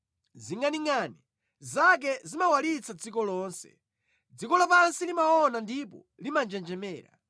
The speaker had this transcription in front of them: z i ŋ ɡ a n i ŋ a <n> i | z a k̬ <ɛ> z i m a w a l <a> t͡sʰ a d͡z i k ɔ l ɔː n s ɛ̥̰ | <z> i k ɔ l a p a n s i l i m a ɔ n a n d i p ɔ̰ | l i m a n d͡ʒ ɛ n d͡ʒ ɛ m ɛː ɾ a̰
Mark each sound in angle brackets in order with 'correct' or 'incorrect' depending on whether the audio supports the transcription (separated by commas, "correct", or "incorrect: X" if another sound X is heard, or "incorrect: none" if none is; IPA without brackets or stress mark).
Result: correct, correct, incorrect: i, incorrect: d͡z